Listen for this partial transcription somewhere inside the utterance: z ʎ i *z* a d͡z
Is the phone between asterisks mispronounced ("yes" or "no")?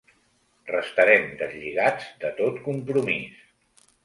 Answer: yes